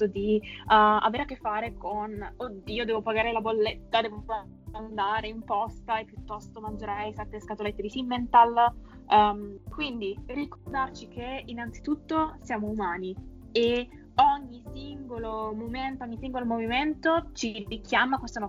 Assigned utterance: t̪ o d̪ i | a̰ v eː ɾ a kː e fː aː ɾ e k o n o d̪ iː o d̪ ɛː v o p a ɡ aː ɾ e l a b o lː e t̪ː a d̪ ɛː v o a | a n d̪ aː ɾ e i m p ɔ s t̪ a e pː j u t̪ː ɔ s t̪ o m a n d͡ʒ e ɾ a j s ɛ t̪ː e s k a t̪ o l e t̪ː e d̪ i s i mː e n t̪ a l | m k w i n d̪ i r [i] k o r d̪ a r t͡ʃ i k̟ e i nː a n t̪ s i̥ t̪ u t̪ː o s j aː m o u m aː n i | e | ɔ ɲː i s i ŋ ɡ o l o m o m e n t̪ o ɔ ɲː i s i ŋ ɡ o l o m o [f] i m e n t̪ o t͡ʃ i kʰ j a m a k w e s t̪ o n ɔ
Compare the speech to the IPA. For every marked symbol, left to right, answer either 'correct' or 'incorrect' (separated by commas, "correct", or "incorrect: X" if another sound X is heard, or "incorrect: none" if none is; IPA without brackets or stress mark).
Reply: correct, incorrect: v